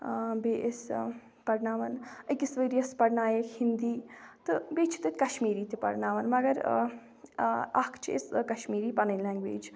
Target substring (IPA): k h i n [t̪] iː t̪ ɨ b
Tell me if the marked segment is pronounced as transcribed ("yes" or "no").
no